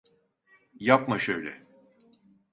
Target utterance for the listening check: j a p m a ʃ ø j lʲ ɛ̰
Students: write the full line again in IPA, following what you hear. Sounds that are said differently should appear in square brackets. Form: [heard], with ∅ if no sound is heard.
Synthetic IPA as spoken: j a p m a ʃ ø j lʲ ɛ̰